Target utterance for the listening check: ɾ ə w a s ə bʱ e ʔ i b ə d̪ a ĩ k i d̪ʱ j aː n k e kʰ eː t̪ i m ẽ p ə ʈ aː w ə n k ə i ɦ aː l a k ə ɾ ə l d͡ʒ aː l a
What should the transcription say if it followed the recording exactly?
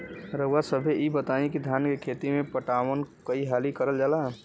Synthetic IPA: ɾ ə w a s ə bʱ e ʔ i b ə t̪ a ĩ k i d̪ʱ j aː n k e kʰ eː t̪ i m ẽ p ə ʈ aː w ə n k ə i ɦ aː l i k ə ɾ ə l d͡ʒ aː l a